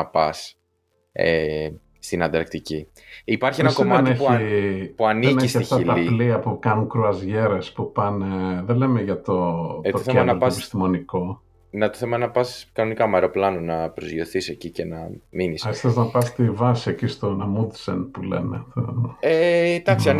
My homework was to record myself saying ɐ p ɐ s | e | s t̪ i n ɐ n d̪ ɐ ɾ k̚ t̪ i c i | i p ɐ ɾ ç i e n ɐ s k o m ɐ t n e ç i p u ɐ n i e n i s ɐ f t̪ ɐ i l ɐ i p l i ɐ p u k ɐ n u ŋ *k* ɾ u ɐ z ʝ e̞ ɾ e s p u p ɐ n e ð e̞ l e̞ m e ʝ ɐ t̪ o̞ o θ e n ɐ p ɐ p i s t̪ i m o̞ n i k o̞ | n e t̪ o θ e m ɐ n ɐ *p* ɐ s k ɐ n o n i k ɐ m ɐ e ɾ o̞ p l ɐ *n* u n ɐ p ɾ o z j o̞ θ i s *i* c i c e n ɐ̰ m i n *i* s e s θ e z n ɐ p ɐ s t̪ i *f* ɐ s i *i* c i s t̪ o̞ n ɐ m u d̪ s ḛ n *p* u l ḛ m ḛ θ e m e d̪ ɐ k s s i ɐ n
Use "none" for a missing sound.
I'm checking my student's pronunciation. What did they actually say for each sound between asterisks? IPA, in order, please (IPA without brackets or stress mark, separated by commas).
k, p, n, e, i, v, e, p